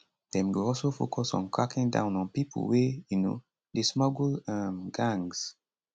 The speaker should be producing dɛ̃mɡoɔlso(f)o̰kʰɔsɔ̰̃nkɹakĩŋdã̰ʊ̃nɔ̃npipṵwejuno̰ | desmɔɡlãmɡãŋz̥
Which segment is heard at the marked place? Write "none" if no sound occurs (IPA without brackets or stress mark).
f